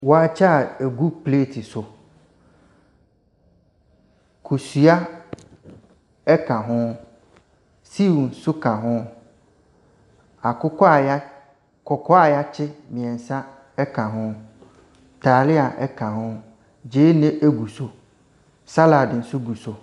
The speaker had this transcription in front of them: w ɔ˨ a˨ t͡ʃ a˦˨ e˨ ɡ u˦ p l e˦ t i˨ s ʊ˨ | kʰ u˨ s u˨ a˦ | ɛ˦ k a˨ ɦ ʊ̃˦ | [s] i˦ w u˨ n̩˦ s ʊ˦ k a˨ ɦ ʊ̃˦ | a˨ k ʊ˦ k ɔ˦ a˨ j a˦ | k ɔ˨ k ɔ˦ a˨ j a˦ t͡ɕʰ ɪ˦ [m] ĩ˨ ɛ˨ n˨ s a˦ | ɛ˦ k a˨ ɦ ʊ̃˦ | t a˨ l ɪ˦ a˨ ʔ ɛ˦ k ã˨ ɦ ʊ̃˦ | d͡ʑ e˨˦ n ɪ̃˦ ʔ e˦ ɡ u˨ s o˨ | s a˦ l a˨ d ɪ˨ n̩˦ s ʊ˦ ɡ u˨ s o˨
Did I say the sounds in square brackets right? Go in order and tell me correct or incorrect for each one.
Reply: correct, correct

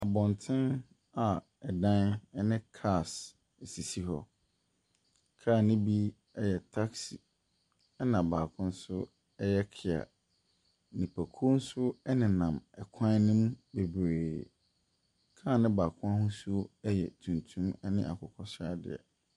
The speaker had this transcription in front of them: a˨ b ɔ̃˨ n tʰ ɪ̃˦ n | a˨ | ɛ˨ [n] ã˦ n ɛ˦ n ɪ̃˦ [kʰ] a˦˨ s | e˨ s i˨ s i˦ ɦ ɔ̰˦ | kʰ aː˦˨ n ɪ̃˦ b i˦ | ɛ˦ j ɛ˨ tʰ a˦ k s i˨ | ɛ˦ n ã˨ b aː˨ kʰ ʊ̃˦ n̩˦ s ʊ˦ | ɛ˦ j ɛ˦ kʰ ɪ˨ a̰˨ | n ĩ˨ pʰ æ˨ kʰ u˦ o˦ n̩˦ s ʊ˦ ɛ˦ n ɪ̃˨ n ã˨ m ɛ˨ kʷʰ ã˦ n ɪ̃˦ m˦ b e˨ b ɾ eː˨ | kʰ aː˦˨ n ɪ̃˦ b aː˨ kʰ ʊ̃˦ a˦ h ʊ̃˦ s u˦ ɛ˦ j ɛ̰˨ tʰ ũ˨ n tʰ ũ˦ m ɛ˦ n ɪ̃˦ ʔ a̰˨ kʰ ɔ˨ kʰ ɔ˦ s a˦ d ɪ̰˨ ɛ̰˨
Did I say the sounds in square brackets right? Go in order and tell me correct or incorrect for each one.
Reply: incorrect: d, correct

